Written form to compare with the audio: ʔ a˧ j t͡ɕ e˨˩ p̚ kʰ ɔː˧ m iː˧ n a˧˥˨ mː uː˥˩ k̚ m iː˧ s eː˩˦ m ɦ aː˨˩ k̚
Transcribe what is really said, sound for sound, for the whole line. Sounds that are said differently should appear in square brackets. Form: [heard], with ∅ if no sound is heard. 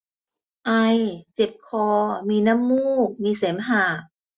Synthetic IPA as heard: ʔ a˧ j t͡ɕ e˨˩ p̚ kʰ ɔː˧ m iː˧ n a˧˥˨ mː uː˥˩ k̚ m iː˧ s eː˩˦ m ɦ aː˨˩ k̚